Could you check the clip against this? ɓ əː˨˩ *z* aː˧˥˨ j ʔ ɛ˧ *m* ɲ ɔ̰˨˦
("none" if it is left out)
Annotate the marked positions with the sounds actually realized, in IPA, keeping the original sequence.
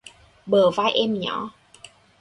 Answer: v, m

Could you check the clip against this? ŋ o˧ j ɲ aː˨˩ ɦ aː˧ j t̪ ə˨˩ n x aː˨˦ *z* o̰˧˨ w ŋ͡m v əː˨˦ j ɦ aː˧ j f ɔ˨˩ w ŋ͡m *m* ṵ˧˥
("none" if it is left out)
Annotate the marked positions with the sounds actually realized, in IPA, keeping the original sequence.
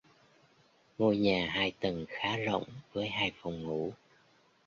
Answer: z, ŋ

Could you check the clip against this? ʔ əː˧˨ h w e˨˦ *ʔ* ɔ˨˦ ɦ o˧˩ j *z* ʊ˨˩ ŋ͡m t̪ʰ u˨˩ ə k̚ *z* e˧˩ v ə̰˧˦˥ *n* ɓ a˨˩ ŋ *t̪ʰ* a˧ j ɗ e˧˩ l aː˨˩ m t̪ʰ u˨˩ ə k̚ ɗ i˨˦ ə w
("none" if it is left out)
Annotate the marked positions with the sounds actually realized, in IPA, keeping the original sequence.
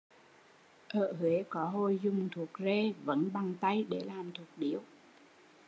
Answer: k, z, z, n, t̪

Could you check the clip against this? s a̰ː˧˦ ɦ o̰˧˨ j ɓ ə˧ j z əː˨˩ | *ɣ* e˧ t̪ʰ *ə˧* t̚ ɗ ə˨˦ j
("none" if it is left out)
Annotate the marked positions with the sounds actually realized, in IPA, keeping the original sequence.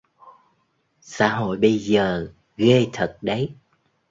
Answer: ɣ, ə˨˩

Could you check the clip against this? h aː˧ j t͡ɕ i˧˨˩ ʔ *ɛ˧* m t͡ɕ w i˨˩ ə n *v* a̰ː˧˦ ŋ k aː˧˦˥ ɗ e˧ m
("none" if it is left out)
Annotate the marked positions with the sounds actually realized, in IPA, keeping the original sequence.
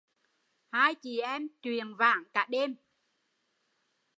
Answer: ɛ˧, v

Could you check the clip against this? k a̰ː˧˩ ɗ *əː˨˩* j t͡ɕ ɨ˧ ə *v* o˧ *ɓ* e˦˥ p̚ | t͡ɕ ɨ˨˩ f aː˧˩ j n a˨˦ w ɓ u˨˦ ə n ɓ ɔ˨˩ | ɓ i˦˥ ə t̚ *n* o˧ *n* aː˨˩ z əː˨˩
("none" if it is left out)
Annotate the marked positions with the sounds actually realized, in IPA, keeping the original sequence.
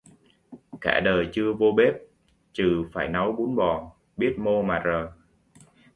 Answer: əː˨˩, v, ɓ, m, m

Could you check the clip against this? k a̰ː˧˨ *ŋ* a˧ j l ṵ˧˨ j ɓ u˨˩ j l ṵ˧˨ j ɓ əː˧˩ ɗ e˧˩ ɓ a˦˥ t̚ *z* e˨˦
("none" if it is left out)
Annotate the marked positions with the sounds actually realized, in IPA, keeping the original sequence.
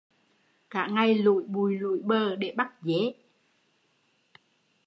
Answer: ŋ, z

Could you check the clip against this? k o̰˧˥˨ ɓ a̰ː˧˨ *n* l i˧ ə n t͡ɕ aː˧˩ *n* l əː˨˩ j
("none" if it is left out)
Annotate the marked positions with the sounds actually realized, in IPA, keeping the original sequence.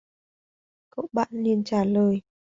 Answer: n, none

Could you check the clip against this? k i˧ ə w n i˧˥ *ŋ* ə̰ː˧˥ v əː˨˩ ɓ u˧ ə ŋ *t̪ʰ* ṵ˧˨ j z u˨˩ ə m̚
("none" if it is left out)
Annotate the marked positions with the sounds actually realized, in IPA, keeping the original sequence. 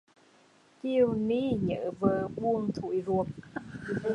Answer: ɲ, t̪ʰ

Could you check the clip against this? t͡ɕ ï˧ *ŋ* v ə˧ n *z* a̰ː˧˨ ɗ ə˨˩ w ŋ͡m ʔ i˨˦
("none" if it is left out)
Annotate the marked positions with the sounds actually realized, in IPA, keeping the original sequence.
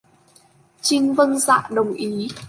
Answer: ŋ, z

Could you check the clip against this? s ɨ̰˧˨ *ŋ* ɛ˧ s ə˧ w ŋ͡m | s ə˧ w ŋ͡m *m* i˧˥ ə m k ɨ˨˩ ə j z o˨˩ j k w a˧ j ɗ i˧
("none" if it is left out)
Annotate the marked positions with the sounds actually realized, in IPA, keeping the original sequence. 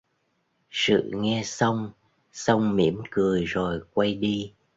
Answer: ŋ, m

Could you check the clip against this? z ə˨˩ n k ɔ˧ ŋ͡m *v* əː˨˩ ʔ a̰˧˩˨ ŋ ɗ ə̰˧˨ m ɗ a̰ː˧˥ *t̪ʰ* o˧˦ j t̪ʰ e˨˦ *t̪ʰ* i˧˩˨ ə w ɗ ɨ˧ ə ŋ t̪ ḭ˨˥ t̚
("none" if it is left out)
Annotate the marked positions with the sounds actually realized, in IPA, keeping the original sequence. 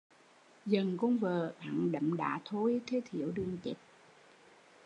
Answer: v, t̪ʰ, t̪ʰ

